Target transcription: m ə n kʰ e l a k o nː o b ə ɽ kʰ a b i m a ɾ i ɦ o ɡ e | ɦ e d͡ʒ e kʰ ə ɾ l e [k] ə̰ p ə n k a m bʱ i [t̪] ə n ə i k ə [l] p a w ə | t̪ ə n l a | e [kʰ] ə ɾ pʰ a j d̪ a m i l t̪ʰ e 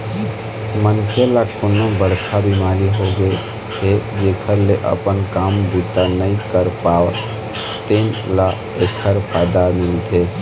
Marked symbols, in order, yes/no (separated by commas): no, yes, no, yes